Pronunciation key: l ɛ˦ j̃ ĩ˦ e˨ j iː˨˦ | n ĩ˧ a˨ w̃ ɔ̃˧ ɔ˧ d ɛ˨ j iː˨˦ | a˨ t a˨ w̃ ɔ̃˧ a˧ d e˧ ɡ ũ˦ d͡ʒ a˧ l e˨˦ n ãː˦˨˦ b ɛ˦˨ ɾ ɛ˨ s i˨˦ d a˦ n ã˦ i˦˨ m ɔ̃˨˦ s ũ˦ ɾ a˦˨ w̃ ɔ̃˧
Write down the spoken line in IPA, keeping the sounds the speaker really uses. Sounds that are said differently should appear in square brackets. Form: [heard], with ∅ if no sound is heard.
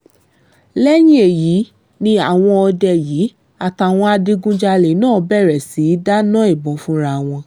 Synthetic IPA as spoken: l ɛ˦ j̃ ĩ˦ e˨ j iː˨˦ | n ĩ˧ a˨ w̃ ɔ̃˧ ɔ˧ d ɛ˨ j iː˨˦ | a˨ t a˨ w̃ ɔ̃˧ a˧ d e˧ ɡ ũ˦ d͡ʒ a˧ l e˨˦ n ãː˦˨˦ b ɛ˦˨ ɾ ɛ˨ s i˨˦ d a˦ n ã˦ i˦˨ [b] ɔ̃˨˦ [f] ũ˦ ɾ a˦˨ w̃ ɔ̃˧